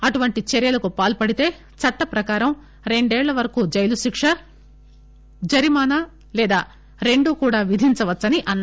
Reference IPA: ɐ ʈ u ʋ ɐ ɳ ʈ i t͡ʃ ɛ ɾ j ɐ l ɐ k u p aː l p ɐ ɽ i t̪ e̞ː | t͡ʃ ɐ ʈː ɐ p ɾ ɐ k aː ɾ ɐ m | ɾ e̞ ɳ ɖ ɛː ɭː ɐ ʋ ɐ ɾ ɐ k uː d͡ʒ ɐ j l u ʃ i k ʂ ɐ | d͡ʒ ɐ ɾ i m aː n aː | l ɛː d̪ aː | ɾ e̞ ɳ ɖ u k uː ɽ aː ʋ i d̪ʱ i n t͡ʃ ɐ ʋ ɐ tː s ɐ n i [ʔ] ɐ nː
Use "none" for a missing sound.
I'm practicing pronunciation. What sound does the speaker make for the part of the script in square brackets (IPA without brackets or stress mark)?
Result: ʔ